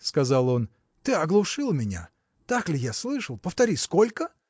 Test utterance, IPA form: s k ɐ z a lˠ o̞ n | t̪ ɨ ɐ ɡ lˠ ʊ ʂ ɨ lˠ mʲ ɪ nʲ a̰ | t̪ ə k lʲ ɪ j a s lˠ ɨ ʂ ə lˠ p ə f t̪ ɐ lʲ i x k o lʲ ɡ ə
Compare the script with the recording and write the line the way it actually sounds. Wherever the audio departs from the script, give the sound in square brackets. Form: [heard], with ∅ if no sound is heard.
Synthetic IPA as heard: s k ɐ z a lˠ o̞ n | t̪ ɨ ɐ ɡ lˠ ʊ ʂ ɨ lˠ mʲ ɪ nʲ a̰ | t̪ [a] k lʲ ɪ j a s lˠ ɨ ʂ ə lˠ p ə f t̪ ɐ [ɾʲ] i [s] k o lʲ [k] ə